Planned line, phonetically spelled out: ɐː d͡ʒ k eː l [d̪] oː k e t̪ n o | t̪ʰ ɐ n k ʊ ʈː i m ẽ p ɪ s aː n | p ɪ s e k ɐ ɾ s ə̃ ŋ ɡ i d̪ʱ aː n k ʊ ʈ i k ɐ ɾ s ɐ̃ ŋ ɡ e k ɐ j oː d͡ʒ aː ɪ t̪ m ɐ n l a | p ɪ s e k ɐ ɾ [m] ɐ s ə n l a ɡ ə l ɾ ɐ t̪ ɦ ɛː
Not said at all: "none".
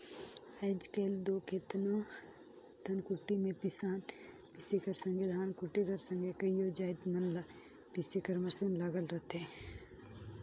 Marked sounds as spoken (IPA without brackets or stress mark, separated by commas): d̪, m